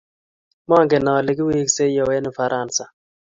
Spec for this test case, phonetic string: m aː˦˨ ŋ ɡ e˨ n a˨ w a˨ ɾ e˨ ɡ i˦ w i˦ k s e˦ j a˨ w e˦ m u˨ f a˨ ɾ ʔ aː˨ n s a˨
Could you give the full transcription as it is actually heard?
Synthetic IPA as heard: m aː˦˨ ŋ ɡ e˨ n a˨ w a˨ l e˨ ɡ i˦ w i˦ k s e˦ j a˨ w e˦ n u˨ f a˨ ɾ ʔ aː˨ n s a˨